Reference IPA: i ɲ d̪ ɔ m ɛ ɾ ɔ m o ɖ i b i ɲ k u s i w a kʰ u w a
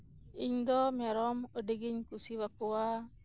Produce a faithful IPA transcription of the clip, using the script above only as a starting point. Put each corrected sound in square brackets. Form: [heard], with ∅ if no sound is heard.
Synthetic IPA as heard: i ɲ d̪ ɔ m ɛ ɾ ɔ m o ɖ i [ɡ] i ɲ k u s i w a [k] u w a